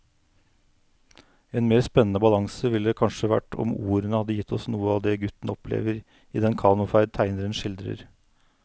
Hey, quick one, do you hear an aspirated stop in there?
yes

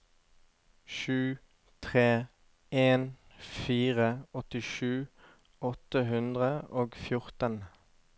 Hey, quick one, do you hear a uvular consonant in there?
yes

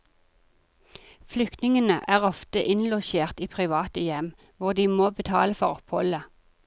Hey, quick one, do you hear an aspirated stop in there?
yes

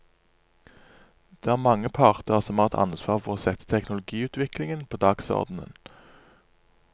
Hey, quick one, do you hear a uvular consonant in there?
yes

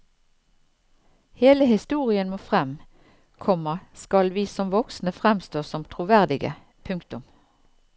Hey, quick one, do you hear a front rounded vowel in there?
no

